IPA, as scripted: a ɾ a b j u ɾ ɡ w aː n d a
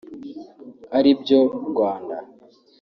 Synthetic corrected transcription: a ɾ i b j o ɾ ɡ w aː n d a